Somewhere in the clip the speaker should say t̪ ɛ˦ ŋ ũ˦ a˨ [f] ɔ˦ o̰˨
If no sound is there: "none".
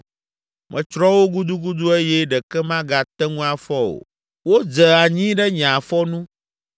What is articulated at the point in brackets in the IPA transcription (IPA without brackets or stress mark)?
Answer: f